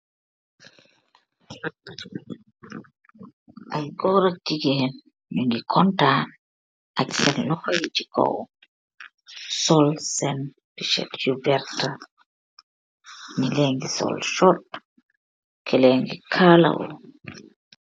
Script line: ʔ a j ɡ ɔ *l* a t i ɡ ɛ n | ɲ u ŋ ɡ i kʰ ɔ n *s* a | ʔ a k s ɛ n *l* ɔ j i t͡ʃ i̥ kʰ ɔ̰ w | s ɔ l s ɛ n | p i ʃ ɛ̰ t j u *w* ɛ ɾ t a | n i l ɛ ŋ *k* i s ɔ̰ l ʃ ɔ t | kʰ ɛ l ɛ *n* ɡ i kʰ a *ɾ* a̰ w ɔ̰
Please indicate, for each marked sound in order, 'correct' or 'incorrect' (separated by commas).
incorrect, incorrect, correct, incorrect, incorrect, incorrect, incorrect